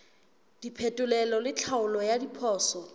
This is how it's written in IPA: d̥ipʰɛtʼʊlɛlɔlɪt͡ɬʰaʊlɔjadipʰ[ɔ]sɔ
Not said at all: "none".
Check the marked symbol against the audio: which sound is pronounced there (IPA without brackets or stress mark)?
ɔː